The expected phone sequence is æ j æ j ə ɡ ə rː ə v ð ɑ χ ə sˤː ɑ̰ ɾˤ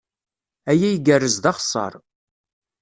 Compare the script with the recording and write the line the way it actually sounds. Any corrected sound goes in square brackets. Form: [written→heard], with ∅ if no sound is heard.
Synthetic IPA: æ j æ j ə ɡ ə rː ə [v→z] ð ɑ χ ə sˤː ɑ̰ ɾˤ